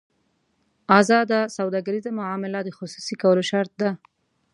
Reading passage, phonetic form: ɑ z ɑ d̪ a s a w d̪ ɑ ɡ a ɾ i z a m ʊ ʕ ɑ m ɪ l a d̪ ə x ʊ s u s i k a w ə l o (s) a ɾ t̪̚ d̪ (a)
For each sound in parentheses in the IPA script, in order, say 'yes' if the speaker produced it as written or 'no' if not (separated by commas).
no, yes